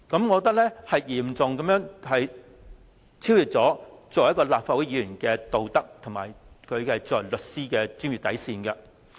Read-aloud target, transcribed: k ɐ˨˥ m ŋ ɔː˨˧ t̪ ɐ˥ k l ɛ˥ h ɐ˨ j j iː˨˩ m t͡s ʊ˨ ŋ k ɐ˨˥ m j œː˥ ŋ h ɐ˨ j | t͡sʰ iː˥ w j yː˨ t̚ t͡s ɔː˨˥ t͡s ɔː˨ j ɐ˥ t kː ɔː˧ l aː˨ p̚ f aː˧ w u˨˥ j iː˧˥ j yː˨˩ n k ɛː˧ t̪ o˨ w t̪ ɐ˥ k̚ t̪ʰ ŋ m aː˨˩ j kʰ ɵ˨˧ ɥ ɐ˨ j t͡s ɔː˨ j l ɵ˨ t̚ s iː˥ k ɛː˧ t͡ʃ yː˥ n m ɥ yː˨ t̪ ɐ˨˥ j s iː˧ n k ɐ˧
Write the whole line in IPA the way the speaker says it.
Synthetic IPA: k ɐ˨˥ m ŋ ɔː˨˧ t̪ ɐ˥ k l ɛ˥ h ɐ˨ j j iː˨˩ m t͡s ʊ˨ ŋ k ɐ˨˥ m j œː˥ ŋ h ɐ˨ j | t͡sʰ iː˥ w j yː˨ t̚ t͡s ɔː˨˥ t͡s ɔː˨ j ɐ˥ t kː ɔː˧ l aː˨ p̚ f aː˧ w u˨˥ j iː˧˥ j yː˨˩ n k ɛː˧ t̪ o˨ w t̪ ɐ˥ k̚ t̪ʰ ŋ m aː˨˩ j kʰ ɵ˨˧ ɥ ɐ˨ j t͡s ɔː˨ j l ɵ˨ t̚ s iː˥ k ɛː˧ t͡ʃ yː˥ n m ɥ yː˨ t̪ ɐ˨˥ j s iː˧ n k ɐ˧